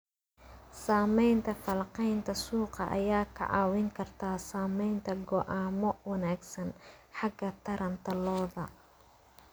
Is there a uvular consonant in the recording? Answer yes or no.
yes